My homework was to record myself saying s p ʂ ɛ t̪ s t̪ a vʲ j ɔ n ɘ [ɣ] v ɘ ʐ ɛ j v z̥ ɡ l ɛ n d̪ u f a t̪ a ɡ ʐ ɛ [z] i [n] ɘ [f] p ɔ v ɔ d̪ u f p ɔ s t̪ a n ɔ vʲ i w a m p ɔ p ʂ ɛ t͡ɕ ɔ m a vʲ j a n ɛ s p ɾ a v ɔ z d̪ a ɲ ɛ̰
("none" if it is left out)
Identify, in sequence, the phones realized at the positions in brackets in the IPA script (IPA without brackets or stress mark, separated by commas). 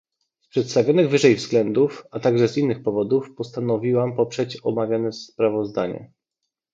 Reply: ɣ, z, nː, x